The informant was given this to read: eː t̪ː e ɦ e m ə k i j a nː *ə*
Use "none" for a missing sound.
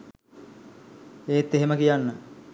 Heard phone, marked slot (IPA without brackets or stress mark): ə